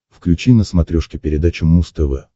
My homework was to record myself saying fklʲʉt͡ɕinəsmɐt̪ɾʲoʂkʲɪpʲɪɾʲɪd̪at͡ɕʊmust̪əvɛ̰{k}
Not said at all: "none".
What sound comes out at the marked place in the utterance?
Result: none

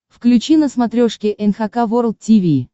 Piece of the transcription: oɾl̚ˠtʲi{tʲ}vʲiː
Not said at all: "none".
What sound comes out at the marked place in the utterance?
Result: none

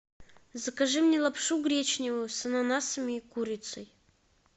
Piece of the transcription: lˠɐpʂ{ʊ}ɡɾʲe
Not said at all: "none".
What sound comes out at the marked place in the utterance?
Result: u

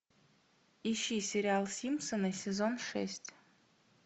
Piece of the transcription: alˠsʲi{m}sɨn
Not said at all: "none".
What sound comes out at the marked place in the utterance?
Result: m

